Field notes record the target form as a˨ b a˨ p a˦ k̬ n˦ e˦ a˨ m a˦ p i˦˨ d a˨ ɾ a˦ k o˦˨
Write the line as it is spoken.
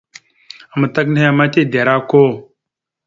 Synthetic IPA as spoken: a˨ m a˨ t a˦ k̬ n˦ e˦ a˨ m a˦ t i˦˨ d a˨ ɾ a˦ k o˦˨